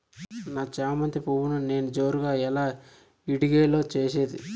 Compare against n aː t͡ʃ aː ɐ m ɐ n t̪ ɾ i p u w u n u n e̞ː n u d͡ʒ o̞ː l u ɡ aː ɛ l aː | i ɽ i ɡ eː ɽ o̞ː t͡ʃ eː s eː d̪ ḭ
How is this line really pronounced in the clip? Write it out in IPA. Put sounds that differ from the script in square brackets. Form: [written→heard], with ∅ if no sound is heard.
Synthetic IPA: n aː t͡ʃ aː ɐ m ɐ n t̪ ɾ i p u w u n u n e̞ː n u d͡ʒ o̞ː [l→ɾ] u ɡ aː ɛ l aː | i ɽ i ɡ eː [ɽ→l] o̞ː t͡ʃ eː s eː d̪ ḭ